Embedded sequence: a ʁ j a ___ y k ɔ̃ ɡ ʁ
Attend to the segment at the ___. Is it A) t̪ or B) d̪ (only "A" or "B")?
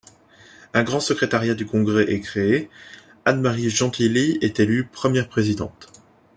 B